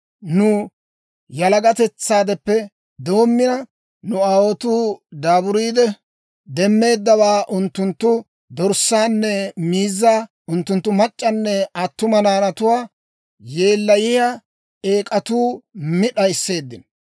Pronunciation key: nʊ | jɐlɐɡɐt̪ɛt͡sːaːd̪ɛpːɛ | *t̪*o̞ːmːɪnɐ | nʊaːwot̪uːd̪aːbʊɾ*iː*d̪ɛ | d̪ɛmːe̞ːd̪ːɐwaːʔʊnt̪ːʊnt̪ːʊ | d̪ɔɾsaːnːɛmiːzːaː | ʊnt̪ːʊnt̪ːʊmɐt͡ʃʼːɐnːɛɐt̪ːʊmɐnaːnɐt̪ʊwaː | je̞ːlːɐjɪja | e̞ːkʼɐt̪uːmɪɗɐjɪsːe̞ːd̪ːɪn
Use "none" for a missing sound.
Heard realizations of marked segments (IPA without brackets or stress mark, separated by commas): d̪, iː